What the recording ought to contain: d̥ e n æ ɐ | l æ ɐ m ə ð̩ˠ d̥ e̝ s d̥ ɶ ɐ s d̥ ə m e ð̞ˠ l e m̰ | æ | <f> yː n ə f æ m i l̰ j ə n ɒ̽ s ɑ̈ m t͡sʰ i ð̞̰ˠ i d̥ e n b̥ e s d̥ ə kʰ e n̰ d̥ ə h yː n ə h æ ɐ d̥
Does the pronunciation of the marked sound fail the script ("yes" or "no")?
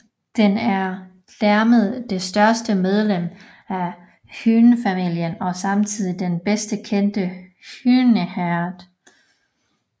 yes